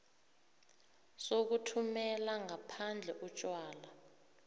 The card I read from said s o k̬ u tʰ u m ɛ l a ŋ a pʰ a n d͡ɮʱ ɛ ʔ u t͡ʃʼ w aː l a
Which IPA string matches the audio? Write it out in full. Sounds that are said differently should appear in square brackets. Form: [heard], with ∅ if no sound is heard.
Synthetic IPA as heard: s o k̬ u tʰ u m ɛ l a ŋ a pʰ a n d͡ɮʱ ɛ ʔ u t͡ʃʼ w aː l a